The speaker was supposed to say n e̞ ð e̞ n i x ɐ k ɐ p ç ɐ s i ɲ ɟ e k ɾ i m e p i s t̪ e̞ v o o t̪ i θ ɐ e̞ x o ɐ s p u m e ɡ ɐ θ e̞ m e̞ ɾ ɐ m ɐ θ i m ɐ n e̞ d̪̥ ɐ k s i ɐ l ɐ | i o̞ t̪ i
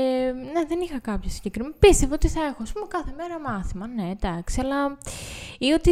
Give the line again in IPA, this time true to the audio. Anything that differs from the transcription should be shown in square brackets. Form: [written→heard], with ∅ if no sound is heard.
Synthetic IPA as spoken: n e̞ ð e̞ n i x ɐ k ɐ p ç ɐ s i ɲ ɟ e k ɾ i m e p i s t̪ e̞ v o o t̪ i θ ɐ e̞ x o ɐ s p u m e [ɡ→k] ɐ θ e̞ m e̞ ɾ ɐ m ɐ θ i m ɐ n e̞ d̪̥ ɐ k s i ɐ l ɐ | i o̞ t̪ i